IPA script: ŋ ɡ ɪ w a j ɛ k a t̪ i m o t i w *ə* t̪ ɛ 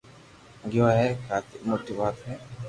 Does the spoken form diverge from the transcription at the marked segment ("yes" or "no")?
yes